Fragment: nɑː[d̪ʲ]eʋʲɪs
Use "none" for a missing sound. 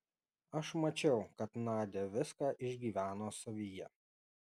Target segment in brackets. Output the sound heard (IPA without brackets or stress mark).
d̪ʲ